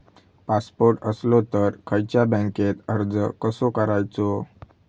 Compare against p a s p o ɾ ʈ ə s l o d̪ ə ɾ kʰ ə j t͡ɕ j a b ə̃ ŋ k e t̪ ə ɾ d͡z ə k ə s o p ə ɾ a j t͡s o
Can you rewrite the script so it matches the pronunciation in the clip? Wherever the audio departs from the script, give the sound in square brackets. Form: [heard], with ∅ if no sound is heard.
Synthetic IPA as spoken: p a s p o ɾ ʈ ə s l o [t̪] ə ɾ kʰ ə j t͡ɕ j a b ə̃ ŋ k e t̪ ə ɾ d͡z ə k ə s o [k] ə ɾ a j t͡s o